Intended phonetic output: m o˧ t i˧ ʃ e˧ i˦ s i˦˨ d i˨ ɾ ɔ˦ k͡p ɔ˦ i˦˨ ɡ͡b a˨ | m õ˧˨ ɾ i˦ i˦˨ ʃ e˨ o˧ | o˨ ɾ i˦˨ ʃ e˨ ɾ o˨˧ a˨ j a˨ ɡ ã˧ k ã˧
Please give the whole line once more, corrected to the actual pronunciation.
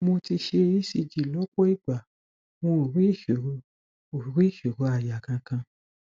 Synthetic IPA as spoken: m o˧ t i˧ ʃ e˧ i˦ s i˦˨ d͡ʒ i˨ l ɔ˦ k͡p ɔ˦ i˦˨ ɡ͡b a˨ | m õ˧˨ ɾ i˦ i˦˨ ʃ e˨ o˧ | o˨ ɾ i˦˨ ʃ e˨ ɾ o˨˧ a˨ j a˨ k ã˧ k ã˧